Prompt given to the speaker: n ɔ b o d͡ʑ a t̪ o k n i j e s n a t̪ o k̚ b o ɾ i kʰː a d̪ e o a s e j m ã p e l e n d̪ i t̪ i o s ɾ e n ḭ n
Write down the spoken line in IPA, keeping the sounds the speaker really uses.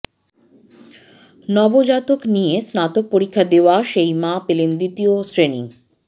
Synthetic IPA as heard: n ɔ b o d͡ʑ a t̪ o k n i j e s n a t̪ o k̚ p o ɾ i kʰː a d̪ e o a ʃ e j m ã p e l e n d̪ i t̪ i o s ɾ e n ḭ ŋ